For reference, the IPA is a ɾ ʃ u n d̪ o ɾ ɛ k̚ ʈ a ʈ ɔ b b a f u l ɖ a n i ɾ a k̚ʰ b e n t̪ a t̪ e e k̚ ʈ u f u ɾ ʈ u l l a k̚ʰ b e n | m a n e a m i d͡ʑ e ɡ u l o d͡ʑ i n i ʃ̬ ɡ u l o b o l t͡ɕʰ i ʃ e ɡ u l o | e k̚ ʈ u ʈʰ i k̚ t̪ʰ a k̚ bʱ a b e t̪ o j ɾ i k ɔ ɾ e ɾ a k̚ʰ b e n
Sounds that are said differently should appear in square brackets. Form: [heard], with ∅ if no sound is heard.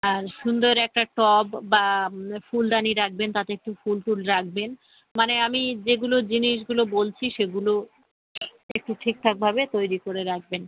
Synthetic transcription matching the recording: a ɾ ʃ u n d̪ o ɾ ɛ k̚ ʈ a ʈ ɔ b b a f u l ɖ a n i ɾ a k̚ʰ b e n t̪ a t̪ e e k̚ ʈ u f u [l] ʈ u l [ɾ] a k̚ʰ b e n | m a n e a m i d͡ʑ e ɡ u l o d͡ʑ i n i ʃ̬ ɡ u l o b o l t͡ɕʰ i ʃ e ɡ u l o | e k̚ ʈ u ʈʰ i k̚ t̪ʰ a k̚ bʱ a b e t̪ o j ɾ i k [o] ɾ e ɾ a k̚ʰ b e n